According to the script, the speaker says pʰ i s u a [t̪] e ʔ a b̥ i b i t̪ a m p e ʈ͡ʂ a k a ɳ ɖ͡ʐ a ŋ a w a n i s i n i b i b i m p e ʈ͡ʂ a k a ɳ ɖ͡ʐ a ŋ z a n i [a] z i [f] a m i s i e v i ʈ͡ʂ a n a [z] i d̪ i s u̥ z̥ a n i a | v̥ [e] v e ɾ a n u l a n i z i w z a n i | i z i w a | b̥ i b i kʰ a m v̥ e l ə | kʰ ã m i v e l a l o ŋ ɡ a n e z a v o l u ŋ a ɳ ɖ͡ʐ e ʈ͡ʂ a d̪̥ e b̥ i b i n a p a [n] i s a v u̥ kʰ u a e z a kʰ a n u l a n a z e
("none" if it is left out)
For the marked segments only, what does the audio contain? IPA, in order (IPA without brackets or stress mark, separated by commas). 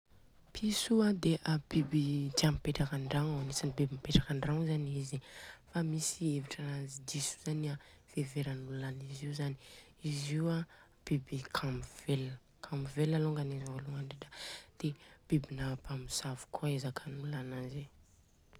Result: d̪, i, f, z, e, m